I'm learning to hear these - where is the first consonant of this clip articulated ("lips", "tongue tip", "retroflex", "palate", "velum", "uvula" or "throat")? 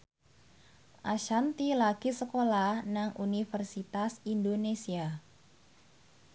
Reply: throat